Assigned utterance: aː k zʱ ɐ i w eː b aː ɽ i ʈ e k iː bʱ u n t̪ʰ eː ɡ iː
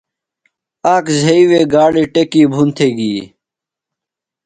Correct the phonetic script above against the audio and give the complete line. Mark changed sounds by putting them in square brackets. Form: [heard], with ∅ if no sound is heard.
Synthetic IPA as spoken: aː k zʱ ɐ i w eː [ɡ] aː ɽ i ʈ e k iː bʱ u n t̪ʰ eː ɡ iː